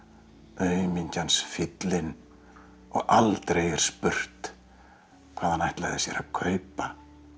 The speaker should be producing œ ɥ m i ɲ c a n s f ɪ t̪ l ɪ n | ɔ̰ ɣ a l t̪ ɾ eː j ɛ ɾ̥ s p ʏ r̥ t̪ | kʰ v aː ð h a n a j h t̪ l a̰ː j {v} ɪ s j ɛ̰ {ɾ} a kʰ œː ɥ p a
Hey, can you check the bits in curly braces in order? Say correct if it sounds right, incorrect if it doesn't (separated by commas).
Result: incorrect, correct